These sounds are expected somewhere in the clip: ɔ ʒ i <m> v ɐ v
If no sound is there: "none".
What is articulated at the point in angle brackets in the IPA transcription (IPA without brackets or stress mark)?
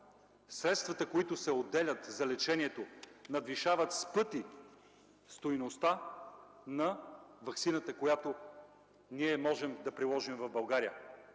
m